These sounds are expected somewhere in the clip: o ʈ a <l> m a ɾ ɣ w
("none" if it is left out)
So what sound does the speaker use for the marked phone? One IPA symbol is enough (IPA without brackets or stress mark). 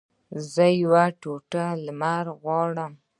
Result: l